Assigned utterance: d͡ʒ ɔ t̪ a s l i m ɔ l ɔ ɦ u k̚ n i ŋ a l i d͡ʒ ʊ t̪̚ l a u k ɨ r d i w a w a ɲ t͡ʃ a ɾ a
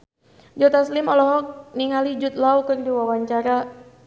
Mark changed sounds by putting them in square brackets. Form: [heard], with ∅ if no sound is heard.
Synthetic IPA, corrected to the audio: d͡ʒ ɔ t̪ a s l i m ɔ l ɔ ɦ [ɔ] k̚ n i ŋ a l i d͡ʒ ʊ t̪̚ l a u k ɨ r d i w a w a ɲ t͡ʃ a ɾ a